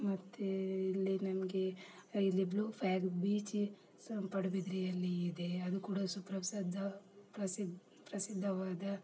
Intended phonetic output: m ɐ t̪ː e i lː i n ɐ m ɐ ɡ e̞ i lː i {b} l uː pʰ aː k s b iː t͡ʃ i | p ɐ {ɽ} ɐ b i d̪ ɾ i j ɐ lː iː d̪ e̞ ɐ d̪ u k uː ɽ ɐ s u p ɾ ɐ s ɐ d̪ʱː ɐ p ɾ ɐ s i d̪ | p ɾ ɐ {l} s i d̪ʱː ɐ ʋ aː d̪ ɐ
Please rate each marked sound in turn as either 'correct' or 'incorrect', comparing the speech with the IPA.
correct, correct, incorrect

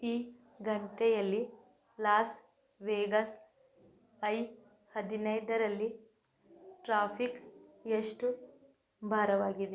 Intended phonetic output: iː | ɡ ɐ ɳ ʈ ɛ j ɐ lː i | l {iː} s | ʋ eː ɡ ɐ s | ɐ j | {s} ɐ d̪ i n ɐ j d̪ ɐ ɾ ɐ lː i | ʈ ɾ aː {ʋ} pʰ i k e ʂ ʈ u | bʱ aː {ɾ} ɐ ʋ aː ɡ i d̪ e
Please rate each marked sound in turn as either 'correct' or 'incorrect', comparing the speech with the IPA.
incorrect, incorrect, incorrect, correct

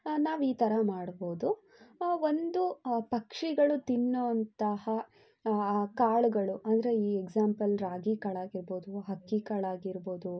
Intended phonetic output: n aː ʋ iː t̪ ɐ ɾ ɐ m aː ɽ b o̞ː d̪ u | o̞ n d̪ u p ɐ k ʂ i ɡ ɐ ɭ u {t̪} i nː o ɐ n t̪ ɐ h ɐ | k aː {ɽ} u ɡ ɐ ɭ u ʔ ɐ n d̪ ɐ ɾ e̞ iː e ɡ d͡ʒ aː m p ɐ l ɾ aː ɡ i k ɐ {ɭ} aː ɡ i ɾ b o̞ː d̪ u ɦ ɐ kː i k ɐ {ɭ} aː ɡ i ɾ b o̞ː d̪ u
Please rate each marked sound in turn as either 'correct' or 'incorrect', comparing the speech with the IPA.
correct, incorrect, correct, correct

